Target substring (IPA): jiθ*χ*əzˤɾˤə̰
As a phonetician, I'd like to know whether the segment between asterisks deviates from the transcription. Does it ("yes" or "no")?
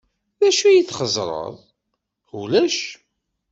no